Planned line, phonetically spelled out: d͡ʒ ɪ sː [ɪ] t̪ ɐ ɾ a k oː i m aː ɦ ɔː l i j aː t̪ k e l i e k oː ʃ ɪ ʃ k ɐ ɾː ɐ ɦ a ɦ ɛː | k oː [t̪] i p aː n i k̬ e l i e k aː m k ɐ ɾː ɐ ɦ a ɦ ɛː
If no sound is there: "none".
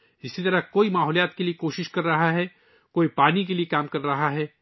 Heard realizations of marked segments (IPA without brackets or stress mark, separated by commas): i, none